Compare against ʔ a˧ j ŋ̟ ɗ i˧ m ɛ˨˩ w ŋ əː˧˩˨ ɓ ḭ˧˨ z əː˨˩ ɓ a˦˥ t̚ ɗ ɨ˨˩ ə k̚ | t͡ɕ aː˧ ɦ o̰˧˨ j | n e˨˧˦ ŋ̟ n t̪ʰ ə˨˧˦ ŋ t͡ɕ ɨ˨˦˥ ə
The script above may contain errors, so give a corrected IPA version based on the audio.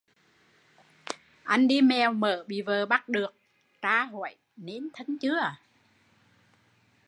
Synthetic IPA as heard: ʔ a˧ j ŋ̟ ɗ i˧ m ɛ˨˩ w m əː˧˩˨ ɓ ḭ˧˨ v əː˨˩ ɓ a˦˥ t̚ ɗ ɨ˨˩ ə k̚ | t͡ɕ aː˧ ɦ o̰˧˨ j | n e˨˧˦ n t̪ʰ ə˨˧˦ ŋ t͡ɕ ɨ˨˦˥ ə